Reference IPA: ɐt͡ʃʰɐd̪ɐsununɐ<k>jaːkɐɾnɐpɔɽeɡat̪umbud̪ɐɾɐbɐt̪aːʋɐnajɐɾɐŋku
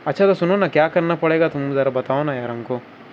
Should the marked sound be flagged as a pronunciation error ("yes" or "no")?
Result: no